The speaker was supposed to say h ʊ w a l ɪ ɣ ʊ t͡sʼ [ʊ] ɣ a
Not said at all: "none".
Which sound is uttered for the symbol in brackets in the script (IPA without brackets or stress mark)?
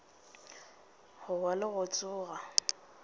ʊː